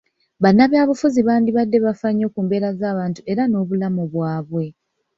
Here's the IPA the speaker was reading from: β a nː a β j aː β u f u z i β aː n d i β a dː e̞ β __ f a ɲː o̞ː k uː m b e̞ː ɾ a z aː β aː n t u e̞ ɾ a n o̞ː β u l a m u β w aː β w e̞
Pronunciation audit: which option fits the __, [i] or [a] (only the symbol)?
a